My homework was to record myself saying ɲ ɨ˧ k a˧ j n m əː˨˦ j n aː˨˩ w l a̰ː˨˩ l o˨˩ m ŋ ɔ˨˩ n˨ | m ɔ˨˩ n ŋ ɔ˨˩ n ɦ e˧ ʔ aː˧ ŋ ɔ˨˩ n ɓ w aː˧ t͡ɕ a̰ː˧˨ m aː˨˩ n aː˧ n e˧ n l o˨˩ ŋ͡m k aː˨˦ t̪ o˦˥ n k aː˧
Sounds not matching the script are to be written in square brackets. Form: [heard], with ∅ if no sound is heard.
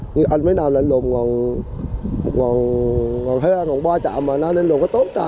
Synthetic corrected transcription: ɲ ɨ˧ [ʔ] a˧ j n m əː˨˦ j n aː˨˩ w l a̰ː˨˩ l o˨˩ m ŋ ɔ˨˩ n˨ | [ŋ] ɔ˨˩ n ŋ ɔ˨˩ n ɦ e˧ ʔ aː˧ ŋ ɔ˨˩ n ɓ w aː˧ t͡ɕ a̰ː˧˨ m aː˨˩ n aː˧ n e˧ n l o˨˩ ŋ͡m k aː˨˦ t̪ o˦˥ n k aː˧